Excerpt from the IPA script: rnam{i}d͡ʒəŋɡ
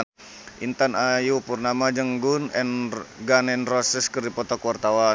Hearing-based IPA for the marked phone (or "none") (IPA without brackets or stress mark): a